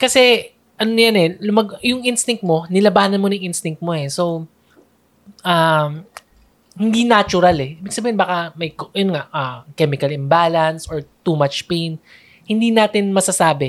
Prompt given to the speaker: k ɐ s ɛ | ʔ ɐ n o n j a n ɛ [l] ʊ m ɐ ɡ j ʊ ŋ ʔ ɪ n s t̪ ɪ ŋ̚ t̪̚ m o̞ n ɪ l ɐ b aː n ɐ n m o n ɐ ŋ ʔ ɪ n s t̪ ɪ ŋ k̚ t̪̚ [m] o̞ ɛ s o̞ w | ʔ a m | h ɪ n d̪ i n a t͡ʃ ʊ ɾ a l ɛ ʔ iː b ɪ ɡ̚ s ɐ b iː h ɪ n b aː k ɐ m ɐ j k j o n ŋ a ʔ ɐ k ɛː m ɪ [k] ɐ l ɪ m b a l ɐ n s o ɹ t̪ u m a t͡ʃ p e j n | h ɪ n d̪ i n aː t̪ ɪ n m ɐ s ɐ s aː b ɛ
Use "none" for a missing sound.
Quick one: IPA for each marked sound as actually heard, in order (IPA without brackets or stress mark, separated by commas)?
l, m, k